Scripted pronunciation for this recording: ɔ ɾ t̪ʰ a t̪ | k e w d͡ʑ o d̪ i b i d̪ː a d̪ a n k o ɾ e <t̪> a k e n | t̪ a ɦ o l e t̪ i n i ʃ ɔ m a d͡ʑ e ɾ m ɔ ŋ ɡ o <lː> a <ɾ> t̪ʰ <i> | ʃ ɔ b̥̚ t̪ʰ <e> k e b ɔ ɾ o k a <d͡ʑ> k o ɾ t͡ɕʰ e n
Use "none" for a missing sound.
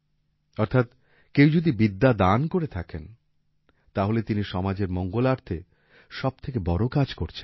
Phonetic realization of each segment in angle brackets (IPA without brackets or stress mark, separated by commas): t̪ʰ, l, ɾ, e, e, d͡ʑ